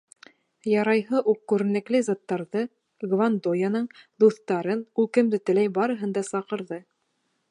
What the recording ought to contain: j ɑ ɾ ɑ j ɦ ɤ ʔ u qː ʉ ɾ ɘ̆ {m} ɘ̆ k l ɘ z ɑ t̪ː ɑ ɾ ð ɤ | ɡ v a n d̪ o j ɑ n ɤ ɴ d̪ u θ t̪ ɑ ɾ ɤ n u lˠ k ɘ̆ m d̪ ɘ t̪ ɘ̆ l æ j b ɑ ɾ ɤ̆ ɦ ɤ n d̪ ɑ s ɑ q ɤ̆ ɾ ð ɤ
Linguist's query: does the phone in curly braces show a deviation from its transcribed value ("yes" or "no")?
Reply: yes